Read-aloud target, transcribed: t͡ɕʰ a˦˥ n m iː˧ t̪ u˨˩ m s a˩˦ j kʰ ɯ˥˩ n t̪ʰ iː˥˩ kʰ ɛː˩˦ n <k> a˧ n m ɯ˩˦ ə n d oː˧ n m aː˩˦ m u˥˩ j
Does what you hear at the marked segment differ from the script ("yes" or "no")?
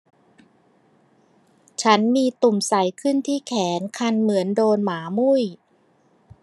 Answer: yes